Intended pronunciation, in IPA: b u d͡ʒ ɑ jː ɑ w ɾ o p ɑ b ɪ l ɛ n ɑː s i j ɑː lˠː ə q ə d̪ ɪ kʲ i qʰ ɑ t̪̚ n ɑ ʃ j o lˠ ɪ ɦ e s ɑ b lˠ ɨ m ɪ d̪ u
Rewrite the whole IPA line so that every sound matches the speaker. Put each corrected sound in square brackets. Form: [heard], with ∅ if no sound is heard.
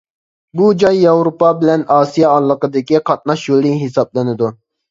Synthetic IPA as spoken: b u d͡ʒ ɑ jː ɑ w ɾ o p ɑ b ɪ l ɛ n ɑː s i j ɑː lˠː ə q ə d̪ ɪ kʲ i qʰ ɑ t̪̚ n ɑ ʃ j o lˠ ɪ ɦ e s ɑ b lˠ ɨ [n] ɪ d̪ u